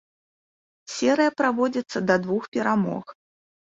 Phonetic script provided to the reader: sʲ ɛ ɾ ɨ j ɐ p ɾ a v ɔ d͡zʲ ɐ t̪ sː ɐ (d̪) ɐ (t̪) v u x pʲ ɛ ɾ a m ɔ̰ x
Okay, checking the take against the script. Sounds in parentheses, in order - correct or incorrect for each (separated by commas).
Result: correct, incorrect